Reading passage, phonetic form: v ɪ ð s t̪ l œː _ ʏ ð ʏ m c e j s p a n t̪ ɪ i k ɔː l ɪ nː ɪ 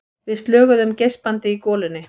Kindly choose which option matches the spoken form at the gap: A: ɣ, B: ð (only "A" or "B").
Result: A